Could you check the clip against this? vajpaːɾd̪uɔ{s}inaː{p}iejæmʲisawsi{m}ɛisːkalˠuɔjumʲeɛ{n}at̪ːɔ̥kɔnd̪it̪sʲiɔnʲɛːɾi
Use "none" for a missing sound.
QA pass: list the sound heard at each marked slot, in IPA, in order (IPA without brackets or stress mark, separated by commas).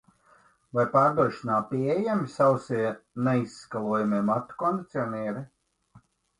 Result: ʃ, p, n, m